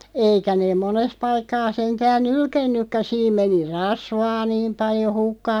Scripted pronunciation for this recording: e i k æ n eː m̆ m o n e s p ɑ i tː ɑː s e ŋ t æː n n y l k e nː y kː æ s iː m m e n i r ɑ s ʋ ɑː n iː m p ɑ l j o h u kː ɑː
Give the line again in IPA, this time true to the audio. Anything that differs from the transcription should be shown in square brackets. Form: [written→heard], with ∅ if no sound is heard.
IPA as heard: e i k æ n eː m̆ m o n e s p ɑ i [tː→kː] ɑː s e ŋ t æː n n y l k e nː y kː æ s iː m m e n i r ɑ s ʋ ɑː n iː m p ɑ l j o h u kː ɑː